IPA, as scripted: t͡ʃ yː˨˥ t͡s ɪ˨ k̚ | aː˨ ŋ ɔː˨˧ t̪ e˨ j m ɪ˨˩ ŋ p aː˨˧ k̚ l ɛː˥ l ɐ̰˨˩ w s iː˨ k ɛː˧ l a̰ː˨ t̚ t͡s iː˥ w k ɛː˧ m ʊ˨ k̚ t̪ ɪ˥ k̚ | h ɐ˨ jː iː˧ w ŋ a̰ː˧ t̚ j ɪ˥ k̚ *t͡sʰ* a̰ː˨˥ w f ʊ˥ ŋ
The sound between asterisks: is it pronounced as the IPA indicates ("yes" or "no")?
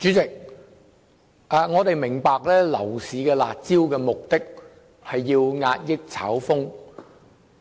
yes